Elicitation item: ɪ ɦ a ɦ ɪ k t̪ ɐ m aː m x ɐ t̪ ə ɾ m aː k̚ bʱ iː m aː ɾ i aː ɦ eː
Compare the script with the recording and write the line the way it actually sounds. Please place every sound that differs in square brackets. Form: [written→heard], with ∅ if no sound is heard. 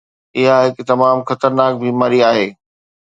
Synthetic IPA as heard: ɪ ɦ a ɦ ɪ k t̪ ɐ m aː m x ɐ t̪ ə ɾ [m→n] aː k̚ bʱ iː m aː ɾ i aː ɦ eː